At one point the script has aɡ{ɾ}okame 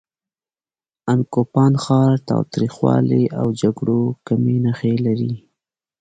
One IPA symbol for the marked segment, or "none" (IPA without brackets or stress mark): ɽ